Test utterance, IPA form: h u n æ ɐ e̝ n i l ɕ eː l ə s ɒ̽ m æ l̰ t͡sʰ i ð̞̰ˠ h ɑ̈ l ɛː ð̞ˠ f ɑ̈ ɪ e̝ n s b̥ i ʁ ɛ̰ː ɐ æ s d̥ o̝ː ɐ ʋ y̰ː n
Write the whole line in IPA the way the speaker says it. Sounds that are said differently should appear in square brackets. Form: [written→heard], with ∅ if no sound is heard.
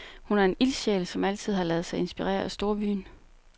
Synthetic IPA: h u n æ ɐ e̝ n i l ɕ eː l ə s ɒ̽ m æ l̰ t͡sʰ i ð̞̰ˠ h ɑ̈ l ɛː ð̞ˠ [f→s] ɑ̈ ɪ e̝ n s b̥ i ʁ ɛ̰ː ɐ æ s d̥ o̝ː ɐ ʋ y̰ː n